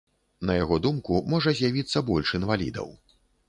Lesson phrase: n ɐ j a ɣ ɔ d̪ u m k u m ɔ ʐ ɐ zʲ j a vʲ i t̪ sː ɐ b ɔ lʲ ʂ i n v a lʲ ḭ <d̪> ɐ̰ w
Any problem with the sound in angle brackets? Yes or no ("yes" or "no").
no